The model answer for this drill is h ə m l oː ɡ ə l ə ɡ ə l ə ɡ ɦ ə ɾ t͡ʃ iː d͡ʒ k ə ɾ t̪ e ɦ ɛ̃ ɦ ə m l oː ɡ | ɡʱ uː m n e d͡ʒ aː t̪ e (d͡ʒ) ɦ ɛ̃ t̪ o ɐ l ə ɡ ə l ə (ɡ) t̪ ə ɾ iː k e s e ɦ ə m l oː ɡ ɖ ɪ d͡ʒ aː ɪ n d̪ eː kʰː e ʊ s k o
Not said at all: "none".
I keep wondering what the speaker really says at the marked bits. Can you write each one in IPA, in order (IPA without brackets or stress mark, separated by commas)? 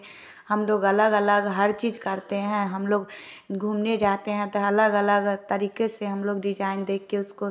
none, ɡ